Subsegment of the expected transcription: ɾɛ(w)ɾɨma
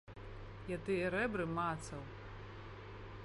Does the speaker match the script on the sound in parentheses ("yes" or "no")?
no